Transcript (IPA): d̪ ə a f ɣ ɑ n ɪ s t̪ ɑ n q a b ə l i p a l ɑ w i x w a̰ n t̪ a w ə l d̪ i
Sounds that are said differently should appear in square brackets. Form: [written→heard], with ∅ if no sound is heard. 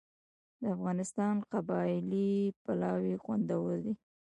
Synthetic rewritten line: d̪ ə a f ɣ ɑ n ɪ s t̪ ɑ n q a b [ə→ɑ] l i p a l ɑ w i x w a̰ n [t̪→d̪] a w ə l d̪ i